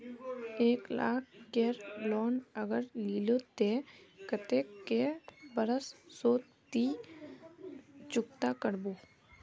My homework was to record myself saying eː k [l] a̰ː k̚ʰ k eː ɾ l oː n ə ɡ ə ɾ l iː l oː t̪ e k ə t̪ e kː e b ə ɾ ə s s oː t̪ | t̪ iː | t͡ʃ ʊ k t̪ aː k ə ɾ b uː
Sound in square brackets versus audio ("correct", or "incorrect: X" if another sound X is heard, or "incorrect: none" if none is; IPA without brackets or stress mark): correct